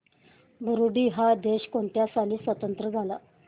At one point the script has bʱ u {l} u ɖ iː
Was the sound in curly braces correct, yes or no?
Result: no